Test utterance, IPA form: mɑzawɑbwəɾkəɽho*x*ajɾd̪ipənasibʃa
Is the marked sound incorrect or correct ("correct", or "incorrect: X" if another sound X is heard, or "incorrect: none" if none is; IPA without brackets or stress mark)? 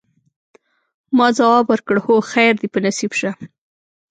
correct